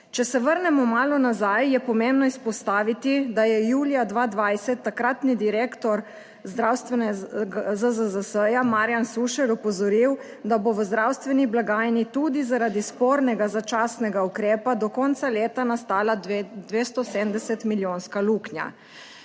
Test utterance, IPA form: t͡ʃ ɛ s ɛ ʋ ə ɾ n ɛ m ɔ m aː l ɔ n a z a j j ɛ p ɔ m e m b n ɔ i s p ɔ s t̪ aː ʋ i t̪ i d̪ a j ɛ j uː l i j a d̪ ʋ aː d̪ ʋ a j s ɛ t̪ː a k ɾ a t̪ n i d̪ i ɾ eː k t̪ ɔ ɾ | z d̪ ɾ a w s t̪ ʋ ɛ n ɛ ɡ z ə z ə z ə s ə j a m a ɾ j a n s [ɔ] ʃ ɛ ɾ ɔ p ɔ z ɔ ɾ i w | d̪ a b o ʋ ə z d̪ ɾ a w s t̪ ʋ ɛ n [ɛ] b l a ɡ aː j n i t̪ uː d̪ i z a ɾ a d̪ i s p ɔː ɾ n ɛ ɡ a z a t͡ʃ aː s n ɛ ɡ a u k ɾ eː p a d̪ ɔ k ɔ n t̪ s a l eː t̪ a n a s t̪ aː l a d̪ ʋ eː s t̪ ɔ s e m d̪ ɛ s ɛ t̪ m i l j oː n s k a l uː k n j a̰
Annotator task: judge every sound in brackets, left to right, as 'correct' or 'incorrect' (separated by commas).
incorrect, incorrect